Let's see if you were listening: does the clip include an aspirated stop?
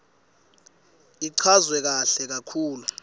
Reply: yes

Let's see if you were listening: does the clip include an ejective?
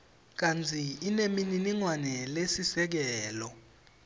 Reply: no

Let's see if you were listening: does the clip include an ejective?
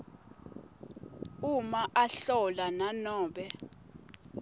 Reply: no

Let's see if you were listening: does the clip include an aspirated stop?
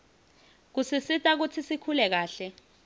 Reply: yes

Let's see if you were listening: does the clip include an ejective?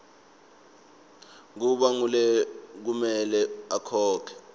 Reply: no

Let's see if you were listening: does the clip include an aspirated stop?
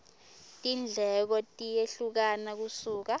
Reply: no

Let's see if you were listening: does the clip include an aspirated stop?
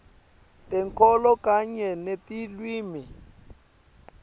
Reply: no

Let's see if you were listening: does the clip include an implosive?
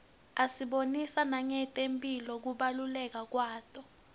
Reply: yes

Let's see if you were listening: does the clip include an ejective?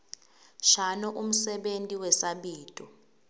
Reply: yes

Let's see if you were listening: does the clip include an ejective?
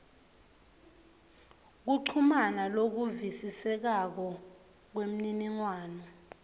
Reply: no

